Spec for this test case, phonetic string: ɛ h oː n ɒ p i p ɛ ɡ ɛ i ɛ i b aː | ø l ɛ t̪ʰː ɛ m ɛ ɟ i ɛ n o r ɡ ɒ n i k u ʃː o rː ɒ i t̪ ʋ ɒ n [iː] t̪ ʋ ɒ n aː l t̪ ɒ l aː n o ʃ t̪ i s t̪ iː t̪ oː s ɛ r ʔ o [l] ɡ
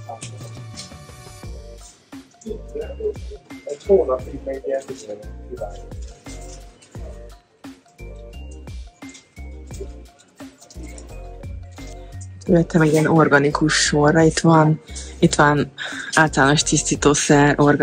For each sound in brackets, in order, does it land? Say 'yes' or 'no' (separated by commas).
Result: no, no